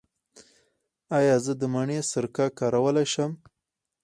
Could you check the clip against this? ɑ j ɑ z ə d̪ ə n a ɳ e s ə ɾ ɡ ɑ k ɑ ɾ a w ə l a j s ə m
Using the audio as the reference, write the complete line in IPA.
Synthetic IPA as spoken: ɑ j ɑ z ə d̪ ə m a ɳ e s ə ɾ k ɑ k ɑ ɾ a w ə l a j ʃ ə m